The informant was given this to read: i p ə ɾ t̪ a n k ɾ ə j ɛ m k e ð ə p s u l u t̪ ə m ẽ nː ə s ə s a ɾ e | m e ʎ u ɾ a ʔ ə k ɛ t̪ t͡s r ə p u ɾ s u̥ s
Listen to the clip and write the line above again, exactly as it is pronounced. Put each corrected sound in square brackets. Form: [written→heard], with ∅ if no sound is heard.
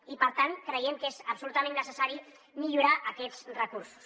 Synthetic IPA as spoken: i p ə ɾ t̪ a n k ɾ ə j ɛ m k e [ð→z] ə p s u l u t̪ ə m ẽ nː ə s ə s a ɾ [e→i] | m [e→i] ʎ u ɾ a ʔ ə k ɛ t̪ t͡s r ə [p→k] u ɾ s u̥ s